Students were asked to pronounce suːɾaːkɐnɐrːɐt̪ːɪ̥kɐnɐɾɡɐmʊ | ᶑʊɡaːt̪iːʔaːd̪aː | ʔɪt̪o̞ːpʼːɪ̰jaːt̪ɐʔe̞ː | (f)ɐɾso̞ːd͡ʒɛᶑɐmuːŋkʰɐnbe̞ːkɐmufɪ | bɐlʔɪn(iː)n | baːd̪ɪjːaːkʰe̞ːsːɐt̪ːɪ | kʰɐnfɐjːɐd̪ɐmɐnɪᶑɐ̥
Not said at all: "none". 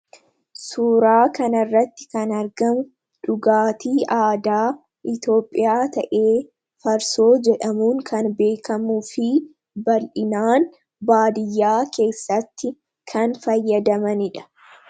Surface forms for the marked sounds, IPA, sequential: f, aː

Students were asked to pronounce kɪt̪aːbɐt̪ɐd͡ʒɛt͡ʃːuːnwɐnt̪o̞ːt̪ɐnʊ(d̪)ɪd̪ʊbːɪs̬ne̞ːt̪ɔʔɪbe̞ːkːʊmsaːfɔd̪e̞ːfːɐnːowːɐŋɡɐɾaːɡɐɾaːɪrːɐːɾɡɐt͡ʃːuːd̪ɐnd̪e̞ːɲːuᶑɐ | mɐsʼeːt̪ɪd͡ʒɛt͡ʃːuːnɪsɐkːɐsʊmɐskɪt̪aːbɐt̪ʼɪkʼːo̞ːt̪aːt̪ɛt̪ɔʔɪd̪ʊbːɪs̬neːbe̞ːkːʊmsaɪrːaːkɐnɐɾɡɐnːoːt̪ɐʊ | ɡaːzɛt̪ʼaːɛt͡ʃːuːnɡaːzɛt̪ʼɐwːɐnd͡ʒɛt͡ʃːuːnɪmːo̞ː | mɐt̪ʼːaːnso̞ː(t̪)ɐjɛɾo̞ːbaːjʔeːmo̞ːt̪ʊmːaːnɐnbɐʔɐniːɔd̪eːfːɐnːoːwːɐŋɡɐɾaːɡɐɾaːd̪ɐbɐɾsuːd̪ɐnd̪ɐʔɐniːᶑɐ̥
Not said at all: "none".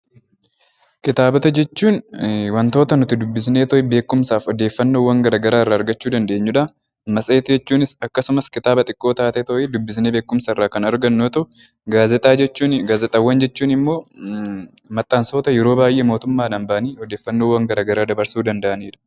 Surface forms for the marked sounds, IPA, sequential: t̪, t̪

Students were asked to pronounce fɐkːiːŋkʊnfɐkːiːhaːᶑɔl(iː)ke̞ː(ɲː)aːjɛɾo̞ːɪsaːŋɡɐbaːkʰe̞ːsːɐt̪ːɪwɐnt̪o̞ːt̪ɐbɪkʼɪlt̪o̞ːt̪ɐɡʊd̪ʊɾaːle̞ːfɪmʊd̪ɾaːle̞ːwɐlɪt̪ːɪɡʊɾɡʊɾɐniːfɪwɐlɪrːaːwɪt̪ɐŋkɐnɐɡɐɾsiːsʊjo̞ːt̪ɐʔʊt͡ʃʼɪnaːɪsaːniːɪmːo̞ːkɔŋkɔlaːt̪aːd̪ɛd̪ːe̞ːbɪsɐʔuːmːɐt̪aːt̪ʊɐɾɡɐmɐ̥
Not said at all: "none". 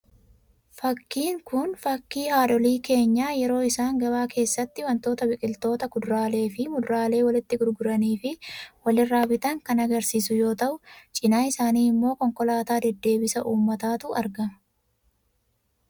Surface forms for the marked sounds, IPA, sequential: iː, ɲː

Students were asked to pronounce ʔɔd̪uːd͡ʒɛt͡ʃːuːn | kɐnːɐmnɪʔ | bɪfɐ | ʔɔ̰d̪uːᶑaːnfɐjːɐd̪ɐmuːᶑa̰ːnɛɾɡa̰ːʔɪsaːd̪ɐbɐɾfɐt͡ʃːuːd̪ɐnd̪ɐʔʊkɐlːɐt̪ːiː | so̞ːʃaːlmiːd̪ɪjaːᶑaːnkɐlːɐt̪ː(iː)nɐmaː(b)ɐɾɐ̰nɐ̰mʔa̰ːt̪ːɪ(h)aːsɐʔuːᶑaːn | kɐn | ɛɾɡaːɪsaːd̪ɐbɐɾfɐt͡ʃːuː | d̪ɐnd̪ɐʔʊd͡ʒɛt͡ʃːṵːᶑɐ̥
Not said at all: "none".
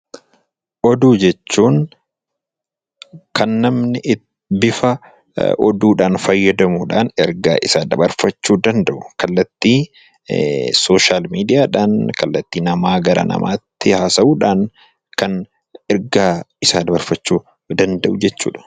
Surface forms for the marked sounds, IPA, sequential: iː, ɡ, h

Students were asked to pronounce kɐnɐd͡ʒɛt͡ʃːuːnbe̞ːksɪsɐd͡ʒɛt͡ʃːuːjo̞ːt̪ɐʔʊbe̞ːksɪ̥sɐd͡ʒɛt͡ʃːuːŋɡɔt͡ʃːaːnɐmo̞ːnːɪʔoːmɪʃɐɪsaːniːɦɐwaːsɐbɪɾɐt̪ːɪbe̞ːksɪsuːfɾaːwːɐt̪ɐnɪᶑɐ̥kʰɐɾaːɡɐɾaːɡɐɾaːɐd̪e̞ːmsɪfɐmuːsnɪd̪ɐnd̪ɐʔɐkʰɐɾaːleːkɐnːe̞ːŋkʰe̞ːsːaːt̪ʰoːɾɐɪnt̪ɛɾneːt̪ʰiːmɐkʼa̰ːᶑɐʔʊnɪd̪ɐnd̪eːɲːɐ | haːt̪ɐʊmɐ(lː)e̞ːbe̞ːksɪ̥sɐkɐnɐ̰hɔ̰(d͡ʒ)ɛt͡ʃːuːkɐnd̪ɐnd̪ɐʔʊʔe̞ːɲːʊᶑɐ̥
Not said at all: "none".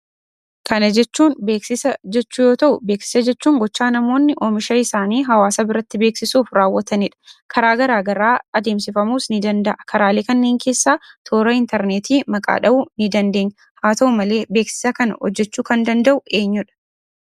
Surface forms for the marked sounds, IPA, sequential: l, d͡ʒː

